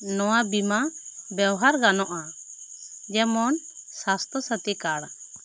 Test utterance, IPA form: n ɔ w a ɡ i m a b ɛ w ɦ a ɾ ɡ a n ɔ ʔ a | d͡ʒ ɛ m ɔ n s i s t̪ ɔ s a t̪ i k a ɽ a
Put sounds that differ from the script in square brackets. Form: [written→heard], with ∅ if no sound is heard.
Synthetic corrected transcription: n ɔ w a [ɡ→b] i m a b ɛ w ɦ a ɾ ɡ a n ɔ ʔ a | d͡ʒ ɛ m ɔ n s [i→a] s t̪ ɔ s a t̪ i k a ɽ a